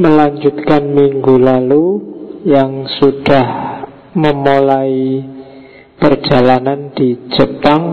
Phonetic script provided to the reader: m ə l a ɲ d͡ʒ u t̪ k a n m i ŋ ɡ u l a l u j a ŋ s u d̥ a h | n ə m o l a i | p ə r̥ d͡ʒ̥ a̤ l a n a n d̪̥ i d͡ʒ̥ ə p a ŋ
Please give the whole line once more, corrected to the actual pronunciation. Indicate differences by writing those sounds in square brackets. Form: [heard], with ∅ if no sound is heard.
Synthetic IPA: m ə l a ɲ d͡ʒ u t̪ k a n m i ŋ ɡ u l a l u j a ŋ s u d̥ a h | [m] ə m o l a i | p ə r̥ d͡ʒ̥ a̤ l a n a n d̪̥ i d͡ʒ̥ ə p a ŋ